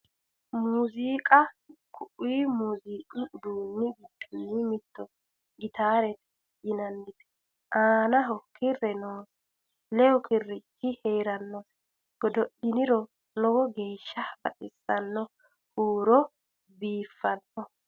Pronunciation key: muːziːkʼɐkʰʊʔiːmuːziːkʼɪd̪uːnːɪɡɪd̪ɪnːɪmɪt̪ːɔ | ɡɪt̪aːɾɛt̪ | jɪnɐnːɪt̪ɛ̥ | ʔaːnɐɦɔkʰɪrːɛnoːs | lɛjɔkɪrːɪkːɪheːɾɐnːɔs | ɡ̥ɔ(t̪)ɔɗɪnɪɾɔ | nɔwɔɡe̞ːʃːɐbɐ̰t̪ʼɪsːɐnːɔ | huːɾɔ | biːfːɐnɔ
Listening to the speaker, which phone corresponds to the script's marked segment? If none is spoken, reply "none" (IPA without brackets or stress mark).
d̪